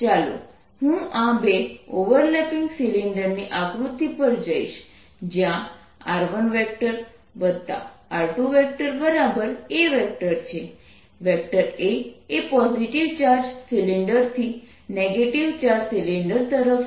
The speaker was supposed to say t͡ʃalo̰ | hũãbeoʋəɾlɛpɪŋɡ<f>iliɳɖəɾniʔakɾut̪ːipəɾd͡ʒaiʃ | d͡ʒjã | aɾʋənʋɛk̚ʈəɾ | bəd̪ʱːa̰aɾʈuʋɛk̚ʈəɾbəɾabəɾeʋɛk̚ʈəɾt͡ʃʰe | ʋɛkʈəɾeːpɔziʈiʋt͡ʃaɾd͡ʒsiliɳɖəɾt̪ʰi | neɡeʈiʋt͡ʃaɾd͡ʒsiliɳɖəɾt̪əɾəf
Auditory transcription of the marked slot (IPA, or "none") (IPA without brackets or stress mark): s